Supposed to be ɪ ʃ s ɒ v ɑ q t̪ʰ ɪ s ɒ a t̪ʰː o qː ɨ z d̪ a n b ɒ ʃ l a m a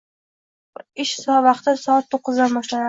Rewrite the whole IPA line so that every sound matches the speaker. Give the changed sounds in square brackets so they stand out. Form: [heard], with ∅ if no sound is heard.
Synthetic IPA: ɪ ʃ s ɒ v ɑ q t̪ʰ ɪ s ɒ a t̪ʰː o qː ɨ z d̪ a n b ɒ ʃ l a [n] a